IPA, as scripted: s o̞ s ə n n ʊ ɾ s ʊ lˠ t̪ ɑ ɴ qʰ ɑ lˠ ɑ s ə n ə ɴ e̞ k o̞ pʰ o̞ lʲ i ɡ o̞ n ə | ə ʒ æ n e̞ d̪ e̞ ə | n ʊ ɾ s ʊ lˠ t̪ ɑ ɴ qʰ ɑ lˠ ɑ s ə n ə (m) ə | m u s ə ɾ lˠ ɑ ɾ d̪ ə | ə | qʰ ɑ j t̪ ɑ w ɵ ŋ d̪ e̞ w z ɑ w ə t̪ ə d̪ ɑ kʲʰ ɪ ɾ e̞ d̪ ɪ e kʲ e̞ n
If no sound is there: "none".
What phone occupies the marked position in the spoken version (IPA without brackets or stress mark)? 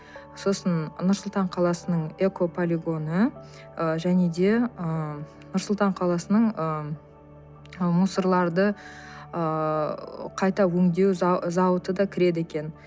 ɴ